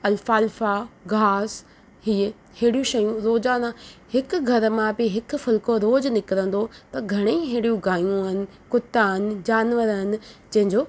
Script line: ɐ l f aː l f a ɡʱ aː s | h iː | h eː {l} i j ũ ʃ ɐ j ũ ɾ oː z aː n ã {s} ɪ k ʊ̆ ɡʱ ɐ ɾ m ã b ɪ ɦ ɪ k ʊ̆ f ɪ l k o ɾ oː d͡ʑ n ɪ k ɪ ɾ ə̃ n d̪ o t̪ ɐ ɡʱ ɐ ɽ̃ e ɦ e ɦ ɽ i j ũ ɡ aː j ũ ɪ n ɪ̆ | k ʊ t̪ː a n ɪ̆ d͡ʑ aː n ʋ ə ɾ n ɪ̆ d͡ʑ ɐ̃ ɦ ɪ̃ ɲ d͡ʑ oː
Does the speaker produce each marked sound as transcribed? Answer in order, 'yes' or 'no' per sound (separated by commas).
no, no